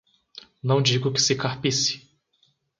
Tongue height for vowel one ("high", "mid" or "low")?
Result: low